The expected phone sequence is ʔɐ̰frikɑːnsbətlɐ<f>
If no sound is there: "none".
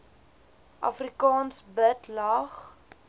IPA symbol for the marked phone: χ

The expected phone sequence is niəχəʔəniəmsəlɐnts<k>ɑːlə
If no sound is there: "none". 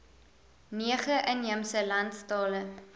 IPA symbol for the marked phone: t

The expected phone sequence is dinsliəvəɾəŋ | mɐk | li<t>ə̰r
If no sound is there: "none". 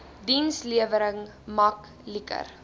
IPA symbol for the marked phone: k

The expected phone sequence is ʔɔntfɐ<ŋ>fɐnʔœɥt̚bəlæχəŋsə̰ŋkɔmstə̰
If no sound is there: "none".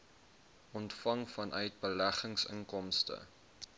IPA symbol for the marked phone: ŋ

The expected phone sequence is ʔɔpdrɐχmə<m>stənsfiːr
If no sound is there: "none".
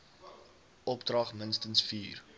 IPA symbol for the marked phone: n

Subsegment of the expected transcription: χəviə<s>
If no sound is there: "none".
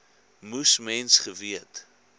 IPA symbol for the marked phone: t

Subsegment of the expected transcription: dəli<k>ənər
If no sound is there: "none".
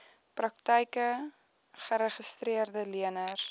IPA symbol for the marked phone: none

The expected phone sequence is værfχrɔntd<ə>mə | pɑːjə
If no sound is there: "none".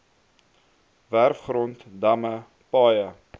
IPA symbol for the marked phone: ɐ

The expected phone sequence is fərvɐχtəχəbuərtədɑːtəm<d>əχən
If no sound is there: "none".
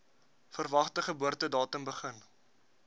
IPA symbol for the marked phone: b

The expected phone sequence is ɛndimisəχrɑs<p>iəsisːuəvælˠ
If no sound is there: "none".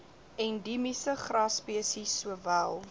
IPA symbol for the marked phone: p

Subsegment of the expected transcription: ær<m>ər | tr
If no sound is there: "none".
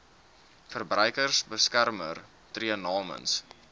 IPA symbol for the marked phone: m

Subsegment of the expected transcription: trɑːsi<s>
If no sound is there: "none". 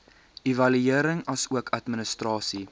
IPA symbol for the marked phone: none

